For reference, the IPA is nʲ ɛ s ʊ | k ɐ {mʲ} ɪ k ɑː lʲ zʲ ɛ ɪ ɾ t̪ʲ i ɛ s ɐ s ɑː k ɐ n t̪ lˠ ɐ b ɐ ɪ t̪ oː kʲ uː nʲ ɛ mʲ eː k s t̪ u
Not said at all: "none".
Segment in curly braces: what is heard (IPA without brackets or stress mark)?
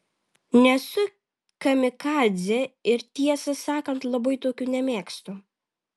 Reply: mʲ